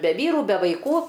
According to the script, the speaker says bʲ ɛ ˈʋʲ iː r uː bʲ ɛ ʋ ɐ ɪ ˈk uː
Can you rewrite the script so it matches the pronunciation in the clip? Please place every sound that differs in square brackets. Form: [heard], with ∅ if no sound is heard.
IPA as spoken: bʲ ɛ ˈʋʲ iː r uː bʲ ɛ ʋ ɐ ɪ ˈk uː